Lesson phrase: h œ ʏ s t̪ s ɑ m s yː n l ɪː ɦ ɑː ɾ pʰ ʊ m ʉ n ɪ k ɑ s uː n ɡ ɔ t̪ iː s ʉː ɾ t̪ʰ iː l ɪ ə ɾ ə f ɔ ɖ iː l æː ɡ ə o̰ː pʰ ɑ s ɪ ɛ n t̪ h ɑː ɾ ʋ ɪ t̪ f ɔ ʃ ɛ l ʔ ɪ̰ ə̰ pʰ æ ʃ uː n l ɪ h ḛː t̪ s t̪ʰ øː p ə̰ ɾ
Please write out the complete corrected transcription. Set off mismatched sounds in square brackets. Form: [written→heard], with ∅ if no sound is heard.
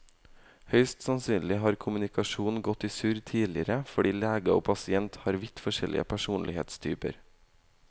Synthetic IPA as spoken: h œ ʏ s t̪ s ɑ [m→n] s yː n l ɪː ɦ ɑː ɾ [pʰ→kʰ] ʊ m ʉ n ɪ k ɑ [s→ʃ] uː n ɡ ɔ t̪ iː s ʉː ɾ t̪ʰ iː l ɪ ə ɾ ə f ɔ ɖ iː l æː ɡ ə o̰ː pʰ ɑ s ɪ ɛ n t̪ h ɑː ɾ ʋ ɪ t̪ f ɔ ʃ ɛ l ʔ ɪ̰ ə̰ pʰ æ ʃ uː n l ɪ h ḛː t̪ s t̪ʰ [øː→yː] p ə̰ ɾ